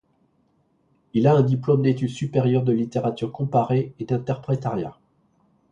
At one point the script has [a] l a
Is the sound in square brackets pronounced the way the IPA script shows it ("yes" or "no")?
no